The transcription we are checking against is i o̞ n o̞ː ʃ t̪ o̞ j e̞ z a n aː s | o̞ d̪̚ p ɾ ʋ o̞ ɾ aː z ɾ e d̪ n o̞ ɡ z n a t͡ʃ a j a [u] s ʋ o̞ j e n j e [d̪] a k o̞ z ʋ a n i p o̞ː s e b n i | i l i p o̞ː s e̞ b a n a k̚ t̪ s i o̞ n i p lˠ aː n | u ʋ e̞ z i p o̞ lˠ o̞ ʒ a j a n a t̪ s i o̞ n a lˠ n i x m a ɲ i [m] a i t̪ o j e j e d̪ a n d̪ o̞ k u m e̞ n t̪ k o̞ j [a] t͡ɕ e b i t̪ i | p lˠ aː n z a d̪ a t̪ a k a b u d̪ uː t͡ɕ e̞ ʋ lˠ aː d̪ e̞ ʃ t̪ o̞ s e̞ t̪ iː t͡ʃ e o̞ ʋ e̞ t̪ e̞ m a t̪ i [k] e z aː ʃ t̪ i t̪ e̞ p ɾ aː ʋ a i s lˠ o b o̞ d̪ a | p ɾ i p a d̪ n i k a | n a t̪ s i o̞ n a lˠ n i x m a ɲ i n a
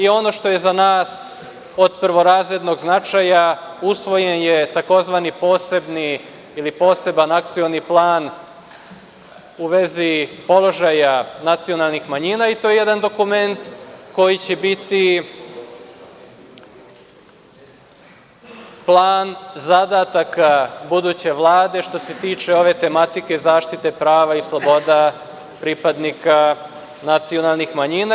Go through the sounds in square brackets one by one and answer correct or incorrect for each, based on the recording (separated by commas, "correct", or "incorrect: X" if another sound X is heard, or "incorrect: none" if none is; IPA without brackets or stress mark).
correct, incorrect: t̪, incorrect: n, incorrect: i, correct